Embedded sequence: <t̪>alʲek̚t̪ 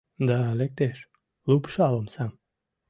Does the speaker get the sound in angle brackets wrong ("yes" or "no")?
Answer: yes